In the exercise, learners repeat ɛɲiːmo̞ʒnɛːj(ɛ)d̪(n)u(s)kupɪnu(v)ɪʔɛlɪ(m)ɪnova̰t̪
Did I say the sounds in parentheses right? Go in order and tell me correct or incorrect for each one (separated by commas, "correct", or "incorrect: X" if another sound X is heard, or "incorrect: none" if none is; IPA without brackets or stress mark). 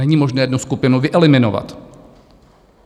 correct, correct, correct, correct, correct